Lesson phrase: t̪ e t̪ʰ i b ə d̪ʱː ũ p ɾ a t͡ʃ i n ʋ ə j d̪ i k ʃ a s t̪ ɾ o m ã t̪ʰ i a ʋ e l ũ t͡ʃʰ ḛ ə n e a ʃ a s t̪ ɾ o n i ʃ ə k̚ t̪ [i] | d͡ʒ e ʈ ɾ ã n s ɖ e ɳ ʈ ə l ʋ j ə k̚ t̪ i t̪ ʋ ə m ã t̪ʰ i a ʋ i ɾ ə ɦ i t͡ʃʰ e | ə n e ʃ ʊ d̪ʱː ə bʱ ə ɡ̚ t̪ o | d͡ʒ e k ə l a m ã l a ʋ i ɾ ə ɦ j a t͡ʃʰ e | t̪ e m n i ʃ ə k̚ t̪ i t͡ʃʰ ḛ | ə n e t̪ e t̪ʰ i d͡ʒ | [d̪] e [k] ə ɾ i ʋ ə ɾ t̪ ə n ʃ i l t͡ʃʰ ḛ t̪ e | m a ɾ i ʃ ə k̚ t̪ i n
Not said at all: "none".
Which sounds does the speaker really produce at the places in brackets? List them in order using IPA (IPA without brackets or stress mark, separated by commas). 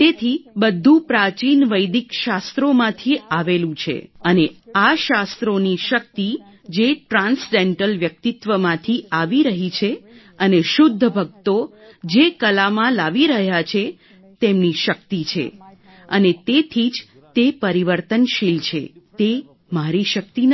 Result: i, t̪, p